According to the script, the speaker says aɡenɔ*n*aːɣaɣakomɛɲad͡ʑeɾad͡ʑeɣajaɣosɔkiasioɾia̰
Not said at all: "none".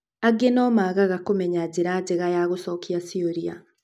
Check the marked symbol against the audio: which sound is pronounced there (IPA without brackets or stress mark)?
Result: m